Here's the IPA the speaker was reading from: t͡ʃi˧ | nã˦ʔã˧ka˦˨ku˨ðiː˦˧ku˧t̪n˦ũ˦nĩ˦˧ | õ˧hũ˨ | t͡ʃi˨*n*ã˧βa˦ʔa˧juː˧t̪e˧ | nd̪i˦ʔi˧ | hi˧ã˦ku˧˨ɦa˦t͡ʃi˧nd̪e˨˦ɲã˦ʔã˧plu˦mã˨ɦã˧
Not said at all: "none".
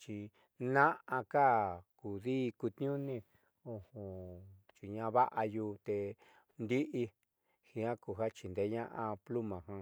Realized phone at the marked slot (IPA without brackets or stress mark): ɲ